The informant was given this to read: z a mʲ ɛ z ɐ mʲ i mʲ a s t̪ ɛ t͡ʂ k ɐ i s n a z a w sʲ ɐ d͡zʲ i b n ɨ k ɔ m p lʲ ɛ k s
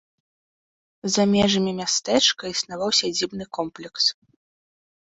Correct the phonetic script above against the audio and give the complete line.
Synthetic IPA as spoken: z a mʲ ɛ ʐ ɐ mʲ i mʲ a s t̪ ɛ t͡ʂ k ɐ i s n a v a w sʲ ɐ d͡zʲ i b n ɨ k ɔ m p lʲ ɛ k s

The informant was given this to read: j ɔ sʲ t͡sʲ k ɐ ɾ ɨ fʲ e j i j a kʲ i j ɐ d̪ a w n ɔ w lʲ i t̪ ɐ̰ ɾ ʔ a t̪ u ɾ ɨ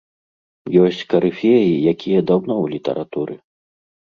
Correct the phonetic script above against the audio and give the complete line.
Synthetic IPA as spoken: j ɔ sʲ t͡sʲ k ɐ ɾ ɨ fʲ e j i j a kʲ i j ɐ d̪ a w n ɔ w lʲ i t̪ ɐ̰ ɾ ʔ a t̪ u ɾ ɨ

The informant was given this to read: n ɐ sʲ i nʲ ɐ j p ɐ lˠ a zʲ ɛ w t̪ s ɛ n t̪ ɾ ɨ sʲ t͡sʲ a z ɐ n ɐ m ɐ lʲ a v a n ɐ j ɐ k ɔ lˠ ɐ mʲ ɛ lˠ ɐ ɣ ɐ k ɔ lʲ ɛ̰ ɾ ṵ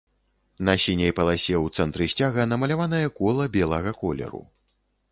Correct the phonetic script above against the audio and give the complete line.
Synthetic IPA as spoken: n ɐ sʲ i nʲ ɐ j p ɐ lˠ a sʲ ɛ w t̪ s ɛ n t̪ ɾ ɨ sʲ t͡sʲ a ɣ ɐ n ɐ m ɐ lʲ a v a n ɐ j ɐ k ɔ lˠ ɐ bʲ ɛ lˠ ɐ ɣ ɐ k ɔ lʲ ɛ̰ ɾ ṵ

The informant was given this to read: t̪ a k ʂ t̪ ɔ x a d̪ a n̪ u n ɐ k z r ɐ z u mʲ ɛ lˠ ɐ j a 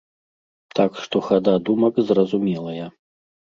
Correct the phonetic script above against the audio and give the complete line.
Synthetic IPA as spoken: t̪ a k ʂ t̪ ɔ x a d̪ a d̪ u m ɐ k z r ɐ z u mʲ ɛ lˠ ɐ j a

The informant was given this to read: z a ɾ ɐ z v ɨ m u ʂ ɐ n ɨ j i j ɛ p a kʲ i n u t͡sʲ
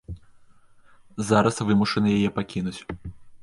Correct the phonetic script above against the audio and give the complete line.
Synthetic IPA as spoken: z a ɾ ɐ s v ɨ m u ʂ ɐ n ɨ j a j ɛ p a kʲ i n u t͡sʲ

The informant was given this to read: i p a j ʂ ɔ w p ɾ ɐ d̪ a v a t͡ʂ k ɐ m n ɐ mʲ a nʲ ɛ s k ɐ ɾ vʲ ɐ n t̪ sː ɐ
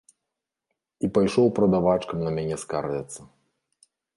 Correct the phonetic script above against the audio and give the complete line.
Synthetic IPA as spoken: i p a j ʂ ɔ w p ɾ ɐ d̪ a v a t͡ʂ k ɐ m n ɐ mʲ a nʲ ɛ s k a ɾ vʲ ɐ t̪ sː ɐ

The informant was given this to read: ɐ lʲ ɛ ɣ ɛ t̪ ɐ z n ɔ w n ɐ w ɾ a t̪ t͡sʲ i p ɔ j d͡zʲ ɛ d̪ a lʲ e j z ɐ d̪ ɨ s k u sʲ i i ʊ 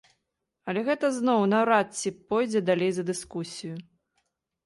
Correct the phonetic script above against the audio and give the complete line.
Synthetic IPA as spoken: ɐ lʲ ɛ ɣ ɛ t̪ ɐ z n ɔ w n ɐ w ɾ a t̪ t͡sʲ i p ɔ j d͡zʲ ɛ d̪ a lʲ e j z ɐ d̪ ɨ s k u sʲ i j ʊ

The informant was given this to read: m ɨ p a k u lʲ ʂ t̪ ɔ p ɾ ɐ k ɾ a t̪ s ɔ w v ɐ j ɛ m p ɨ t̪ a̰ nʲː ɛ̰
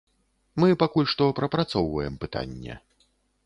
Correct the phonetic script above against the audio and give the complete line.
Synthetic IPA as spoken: m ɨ p a k u lʲ ʂ t̪ ɔ p ɾ ɐ p ɾ a t̪ s ɔ w v ɐ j ɛ m p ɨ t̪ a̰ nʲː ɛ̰

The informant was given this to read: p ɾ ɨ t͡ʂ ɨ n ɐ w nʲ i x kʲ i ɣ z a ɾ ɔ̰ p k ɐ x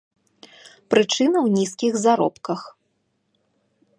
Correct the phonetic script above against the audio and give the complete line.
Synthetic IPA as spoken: p ɾ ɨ t͡ʂ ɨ n ɐ w nʲ i s kʲ i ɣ z a ɾ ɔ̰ p k ɐ x

